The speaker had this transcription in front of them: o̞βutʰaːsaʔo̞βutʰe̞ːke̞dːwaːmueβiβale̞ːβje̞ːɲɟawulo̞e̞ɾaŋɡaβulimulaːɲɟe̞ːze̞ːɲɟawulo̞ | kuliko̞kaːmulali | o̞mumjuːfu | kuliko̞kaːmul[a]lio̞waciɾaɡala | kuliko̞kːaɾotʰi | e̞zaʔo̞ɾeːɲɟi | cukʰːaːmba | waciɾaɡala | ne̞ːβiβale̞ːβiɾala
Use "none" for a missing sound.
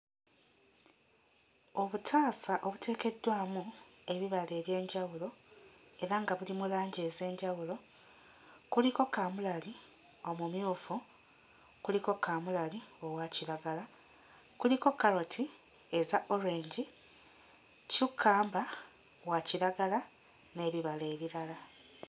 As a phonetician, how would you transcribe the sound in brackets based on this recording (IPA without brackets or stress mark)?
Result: a